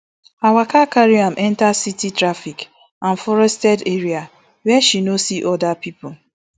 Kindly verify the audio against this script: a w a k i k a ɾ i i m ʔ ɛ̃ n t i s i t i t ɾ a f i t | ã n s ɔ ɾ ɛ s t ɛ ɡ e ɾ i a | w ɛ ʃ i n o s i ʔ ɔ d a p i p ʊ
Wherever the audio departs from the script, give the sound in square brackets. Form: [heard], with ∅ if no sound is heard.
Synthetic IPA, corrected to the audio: a w a k [a] k a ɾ i [a] m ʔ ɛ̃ n t [a] s i t i t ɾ a f i [k] | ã n [f] ɔ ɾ ɛ s t ɛ [d] e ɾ i a | w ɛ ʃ i n o s i ʔ ɔ d a p i p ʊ